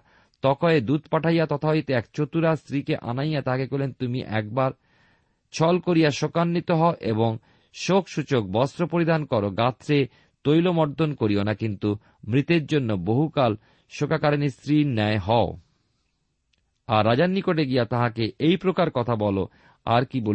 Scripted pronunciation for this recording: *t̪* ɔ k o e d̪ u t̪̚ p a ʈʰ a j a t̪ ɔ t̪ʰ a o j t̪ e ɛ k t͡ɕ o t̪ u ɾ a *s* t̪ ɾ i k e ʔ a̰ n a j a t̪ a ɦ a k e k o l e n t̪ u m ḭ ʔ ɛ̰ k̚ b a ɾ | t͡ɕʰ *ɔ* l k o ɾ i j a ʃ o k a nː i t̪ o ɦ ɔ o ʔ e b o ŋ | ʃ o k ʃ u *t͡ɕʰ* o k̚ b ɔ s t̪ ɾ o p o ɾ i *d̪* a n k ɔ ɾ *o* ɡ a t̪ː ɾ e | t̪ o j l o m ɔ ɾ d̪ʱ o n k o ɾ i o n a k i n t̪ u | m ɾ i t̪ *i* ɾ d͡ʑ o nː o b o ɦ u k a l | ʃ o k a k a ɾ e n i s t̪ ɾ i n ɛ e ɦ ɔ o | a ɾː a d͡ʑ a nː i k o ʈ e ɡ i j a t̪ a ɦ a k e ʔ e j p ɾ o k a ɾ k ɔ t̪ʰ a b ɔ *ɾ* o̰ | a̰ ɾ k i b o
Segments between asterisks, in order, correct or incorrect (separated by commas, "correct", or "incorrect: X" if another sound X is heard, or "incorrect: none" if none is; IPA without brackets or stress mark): correct, correct, correct, incorrect: t͡ɕ, correct, correct, incorrect: e, incorrect: l